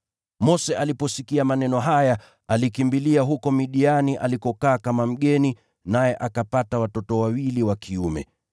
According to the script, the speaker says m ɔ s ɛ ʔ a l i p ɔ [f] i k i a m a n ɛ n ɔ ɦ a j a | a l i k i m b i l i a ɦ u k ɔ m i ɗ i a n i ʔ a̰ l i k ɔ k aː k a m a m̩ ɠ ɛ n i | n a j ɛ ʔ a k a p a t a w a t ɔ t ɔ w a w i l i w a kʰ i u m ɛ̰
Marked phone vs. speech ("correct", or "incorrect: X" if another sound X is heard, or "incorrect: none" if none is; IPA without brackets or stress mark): incorrect: s